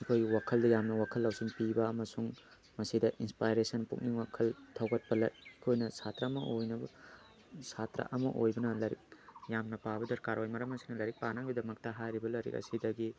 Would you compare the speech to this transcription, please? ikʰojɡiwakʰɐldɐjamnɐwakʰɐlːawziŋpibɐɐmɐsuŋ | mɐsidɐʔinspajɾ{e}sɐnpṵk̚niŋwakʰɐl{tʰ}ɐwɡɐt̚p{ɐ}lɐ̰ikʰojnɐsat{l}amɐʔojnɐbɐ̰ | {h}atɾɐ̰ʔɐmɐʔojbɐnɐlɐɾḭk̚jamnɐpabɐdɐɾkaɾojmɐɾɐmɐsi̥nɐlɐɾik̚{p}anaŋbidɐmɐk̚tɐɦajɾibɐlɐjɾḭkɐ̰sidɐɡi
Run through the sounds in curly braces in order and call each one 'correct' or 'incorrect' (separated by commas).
correct, correct, correct, incorrect, incorrect, correct